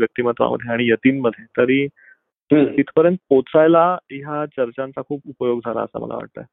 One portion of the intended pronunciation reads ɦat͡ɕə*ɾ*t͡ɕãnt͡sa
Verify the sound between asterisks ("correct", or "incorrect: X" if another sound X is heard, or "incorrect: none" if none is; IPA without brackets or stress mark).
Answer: correct